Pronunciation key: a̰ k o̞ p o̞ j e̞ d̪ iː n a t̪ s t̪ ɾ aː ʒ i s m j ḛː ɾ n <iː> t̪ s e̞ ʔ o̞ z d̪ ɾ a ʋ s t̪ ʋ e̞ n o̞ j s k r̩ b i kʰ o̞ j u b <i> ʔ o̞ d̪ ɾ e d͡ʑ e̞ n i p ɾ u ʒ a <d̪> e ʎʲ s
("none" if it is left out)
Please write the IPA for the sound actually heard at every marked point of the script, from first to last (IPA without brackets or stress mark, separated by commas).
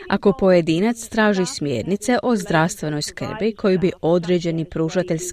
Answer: i, i, t̪